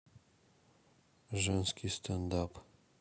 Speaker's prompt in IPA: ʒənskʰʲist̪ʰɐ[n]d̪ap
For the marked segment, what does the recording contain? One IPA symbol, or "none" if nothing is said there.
n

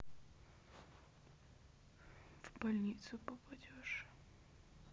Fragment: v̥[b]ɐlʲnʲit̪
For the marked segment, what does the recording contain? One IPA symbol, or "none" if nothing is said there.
b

